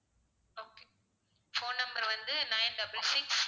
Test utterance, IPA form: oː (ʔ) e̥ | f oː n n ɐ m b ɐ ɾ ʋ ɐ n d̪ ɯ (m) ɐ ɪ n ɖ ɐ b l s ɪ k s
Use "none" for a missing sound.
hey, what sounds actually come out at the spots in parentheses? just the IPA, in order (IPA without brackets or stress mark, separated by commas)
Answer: k, n